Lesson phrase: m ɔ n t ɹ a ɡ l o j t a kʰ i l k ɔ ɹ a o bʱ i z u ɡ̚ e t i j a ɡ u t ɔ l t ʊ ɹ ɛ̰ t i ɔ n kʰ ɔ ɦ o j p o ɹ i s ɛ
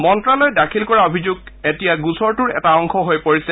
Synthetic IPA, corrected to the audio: m ɔ n t ɹ a l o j d a kʰ i l k ɔ ɹ a o bʱ i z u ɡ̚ e t i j a ɡ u s ɔ ɹ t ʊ ɹ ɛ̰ t a ɔ ŋ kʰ ɔ ɦ o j p o ɹ i s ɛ